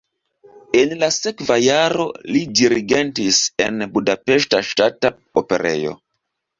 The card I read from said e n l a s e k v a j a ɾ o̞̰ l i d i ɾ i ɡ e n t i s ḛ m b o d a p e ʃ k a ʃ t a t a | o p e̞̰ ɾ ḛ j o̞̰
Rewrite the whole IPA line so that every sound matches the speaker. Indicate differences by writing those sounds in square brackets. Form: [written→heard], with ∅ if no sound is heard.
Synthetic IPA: e n l a s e k v a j a ɾ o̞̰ l i d i ɾ i ɡ e n t i s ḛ [m→n] b [o→u] d a p e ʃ [k→t] a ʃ t a t a | o p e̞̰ ɾ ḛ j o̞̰

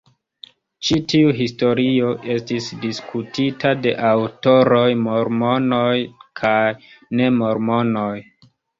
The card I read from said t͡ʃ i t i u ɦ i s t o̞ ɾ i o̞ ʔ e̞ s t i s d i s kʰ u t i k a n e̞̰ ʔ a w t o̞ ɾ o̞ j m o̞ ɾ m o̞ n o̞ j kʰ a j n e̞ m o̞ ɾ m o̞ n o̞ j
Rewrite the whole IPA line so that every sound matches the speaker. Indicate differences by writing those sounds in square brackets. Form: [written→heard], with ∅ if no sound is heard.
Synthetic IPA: t͡ʃ i t i u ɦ i s t o̞ ɾ i o̞ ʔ e̞ s t i s d i s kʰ u t i [k→t] a [n→d] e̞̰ ʔ a w t o̞ ɾ o̞ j m o̞ ɾ m o̞ n o̞ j kʰ a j n e̞ m o̞ ɾ m o̞ n o̞ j

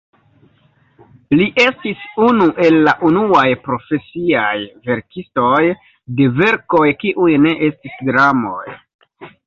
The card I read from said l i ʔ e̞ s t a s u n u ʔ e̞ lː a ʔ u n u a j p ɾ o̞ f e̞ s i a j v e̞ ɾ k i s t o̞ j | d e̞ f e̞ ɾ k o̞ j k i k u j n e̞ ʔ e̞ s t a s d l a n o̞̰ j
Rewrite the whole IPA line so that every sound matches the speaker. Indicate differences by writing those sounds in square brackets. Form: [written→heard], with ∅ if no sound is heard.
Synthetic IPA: l i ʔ e̞ s t [a→i] s u n u ʔ e̞ lː a ʔ u n u a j p ɾ o̞ f e̞ s i a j v e̞ ɾ k i s t o̞ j | d e̞ [f→v] e̞ ɾ k o̞ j k i [k→ʔ] u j n e̞ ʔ e̞ s t [a→i] s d [l→ɾ] a [n→m] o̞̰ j

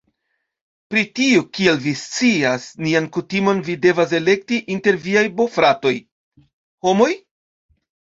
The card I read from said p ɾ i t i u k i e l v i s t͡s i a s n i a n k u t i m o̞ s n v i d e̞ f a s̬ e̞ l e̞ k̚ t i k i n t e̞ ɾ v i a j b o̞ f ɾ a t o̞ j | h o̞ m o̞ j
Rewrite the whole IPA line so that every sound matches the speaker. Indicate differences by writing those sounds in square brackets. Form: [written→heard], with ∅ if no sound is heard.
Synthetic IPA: p ɾ i t i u k i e l v i s t͡s i a s n i a n k u t i m o̞ [s→∅] n v i d e̞ [f→v] a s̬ e̞ l e̞ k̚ t i [k→ʔ] i n t e̞ ɾ v i a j b o̞ f ɾ a t o̞ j | h o̞ m o̞ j

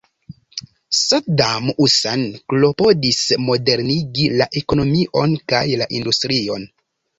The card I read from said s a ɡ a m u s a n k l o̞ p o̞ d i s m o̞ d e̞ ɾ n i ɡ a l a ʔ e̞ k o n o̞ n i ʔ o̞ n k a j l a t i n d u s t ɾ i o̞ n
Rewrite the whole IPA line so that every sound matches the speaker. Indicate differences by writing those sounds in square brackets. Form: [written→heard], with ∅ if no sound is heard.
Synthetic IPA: s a [ɡ→d] a m u s a n k l o̞ p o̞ d i s m o̞ d e̞ ɾ n i ɡ [a→i] l a ʔ e̞ k o n o̞ [n→m] i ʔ o̞ n k a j l a [t→ʔ] i n d u s t ɾ i o̞ n

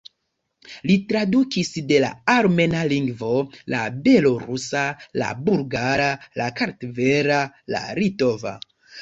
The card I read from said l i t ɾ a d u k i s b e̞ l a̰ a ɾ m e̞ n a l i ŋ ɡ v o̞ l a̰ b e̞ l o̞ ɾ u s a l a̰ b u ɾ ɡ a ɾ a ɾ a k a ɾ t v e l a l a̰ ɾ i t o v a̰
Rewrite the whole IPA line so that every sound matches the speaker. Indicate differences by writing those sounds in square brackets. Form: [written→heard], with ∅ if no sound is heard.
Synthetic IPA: l i t ɾ a d u k i s [b→d] e̞ l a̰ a ɾ m e̞ n a l i ŋ ɡ v o̞ l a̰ b e̞ l o̞ ɾ u s a l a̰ b u ɾ ɡ a ɾ a [ɾ→l] a k a ɾ t v e [l→ɾ] a l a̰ ɾ i t o v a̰

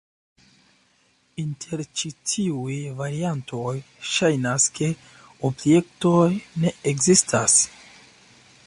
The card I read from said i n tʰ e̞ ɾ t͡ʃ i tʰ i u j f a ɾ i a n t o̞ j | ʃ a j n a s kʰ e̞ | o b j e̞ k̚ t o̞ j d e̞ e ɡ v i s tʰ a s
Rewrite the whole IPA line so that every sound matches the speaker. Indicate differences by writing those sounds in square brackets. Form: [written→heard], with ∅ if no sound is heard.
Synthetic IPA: i n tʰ e̞ ɾ t͡ʃ i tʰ i u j [f→v] a ɾ i a n t o̞ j | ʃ a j n a s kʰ e̞ | o b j e̞ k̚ t o̞ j [d→n] e̞ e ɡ [v→z] i s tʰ a s

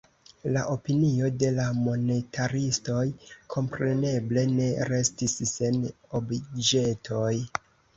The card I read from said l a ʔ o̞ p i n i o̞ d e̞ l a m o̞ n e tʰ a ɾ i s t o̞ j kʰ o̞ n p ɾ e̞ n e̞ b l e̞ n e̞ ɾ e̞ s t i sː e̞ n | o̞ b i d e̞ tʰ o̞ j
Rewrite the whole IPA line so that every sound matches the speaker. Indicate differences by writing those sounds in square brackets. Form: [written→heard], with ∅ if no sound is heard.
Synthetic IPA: l a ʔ o̞ p i n i o̞ d e̞ l a m o̞ n e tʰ a ɾ i s t o̞ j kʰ o̞ [n→m] p ɾ e̞ n e̞ b l e̞ n e̞ ɾ e̞ s t i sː e̞ n | o̞ b i [d→d͡ʒ] e̞ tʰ o̞ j

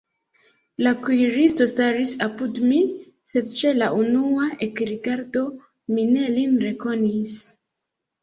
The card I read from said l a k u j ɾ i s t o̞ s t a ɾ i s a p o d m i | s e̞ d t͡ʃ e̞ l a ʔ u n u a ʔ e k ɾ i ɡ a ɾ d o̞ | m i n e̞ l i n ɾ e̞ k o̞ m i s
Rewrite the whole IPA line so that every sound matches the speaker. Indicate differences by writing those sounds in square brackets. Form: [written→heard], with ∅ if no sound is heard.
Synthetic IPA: l a k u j ɾ i s t o̞ s t a ɾ i s a p [o→u] d m i | s e̞ d t͡ʃ e̞ l a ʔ u n u a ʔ e k ɾ i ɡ a ɾ d o̞ | m i n e̞ l i n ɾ e̞ k o̞ [m→n] i s

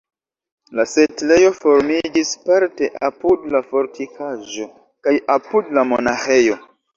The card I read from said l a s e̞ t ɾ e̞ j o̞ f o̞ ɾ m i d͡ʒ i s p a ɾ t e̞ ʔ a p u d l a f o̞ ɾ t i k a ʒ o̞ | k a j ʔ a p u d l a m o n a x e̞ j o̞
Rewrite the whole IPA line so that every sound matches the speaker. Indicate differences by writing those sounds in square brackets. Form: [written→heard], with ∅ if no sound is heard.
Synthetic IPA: l a s e̞ t [ɾ→l] e̞ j o̞ f o̞ ɾ m i d͡ʒ i s p a ɾ t e̞ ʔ a p u d l a f o̞ ɾ t i k a ʒ o̞ | k a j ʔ a p u d l a m o n a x e̞ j o̞

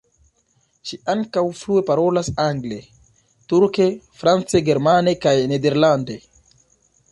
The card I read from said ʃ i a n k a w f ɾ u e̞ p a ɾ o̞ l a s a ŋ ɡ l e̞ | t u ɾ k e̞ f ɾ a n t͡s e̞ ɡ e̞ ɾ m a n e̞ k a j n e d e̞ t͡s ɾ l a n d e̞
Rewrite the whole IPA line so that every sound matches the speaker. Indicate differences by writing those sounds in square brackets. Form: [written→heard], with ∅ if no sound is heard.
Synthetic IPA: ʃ i a [n→ŋ] k a w f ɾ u e̞ p a ɾ o̞ l a s a ŋ ɡ l e̞ | t u ɾ k e̞ f ɾ a n t͡s e̞ ɡ e̞ ɾ m a n e̞ k a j n e d e̞ [t͡s→∅] ɾ l a n d e̞

